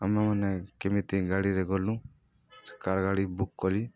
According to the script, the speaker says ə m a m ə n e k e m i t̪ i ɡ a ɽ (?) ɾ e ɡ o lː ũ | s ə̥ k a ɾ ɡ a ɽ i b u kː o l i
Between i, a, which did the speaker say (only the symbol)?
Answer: i